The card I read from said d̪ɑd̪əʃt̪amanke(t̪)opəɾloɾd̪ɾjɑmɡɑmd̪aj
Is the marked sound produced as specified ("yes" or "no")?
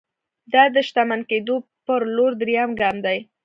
no